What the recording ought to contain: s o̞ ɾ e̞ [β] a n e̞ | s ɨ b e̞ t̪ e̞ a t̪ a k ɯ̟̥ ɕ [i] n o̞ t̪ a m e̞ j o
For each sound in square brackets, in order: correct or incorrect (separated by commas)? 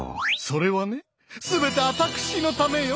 correct, correct